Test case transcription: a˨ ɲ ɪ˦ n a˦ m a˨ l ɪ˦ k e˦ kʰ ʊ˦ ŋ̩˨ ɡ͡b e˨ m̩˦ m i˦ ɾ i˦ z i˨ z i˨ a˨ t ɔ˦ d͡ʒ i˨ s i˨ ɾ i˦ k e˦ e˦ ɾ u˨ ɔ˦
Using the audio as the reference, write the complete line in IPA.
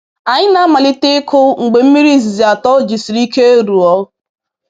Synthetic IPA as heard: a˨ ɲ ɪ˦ n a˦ m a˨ l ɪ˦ t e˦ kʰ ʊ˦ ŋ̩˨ ɡ͡b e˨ m̩˦ m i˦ ɾ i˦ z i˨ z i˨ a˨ t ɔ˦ d͡ʒ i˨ s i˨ ɾ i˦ k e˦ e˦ ɾ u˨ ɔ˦